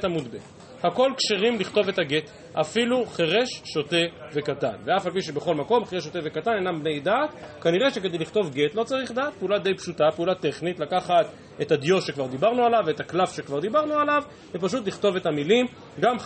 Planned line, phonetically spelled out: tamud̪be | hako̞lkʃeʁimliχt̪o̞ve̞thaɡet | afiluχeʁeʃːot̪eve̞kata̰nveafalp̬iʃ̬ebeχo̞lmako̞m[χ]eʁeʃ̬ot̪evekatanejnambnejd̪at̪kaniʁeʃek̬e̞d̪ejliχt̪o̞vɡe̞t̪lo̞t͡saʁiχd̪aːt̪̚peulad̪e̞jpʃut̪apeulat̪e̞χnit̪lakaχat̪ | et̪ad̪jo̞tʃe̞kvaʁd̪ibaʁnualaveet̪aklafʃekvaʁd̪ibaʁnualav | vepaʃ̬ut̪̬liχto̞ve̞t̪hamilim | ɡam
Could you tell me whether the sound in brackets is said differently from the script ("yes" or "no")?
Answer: no